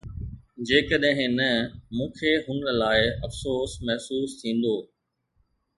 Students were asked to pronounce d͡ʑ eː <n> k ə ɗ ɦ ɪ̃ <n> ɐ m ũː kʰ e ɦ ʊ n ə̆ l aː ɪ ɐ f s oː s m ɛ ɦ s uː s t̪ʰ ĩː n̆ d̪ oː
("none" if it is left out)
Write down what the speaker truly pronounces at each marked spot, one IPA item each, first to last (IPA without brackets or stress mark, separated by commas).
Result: none, n